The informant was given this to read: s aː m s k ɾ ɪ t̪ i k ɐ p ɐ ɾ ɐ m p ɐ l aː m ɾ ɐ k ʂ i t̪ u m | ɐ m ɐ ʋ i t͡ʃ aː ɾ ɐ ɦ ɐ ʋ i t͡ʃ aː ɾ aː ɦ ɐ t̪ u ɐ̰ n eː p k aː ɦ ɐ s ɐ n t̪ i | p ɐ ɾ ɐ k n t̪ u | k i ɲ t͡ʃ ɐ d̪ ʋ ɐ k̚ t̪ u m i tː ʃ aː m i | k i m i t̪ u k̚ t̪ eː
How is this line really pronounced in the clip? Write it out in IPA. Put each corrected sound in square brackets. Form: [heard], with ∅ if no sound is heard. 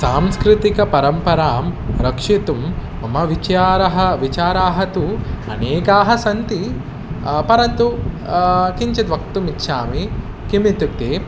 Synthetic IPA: s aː m s k ɾ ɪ t̪ i k ɐ p ɐ ɾ ɐ m p ɐ [ɾ] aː m ɾ ɐ k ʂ i t̪ u m | ɐ m ɐ ʋ i t͡ʃ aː ɾ ɐ ɦ ɐ ʋ i t͡ʃ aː ɾ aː ɦ ɐ t̪ u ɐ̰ n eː [∅] k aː ɦ ɐ s ɐ n t̪ i | p ɐ ɾ ɐ [∅] n t̪ u | k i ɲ t͡ʃ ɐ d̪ ʋ ɐ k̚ t̪ u m i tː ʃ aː m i | k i m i t̪ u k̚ t̪ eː